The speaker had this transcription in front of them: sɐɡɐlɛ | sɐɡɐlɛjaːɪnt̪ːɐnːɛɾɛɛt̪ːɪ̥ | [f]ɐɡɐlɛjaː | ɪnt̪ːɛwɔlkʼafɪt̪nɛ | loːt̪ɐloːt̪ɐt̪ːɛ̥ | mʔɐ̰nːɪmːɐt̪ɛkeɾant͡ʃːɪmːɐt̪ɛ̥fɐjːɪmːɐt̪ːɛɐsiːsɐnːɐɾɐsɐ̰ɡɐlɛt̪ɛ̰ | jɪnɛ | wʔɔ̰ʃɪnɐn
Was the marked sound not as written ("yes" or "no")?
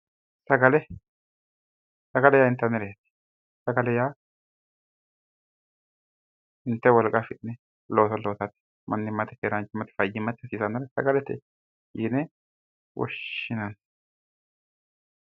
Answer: yes